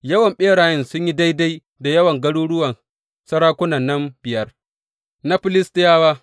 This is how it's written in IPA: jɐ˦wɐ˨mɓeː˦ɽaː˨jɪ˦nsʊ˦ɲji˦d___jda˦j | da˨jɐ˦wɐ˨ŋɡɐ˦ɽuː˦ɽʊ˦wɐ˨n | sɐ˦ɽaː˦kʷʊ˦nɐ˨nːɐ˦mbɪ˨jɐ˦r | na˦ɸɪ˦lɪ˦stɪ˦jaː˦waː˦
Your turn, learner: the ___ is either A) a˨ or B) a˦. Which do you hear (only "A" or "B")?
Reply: B